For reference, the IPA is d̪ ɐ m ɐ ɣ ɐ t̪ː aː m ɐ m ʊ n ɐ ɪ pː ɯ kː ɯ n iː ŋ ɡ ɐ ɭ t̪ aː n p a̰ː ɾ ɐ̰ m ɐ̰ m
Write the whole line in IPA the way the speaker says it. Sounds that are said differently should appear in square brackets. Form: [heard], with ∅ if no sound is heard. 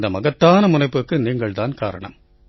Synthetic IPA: d̪ ɐ m ɐ ɣ ɐ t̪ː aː [n] ɐ m ʊ n ɐ ɪ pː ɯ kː ɯ n iː ŋ ɡ ɐ ɭ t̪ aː n [k] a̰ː ɾ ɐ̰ [ɳ] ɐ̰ m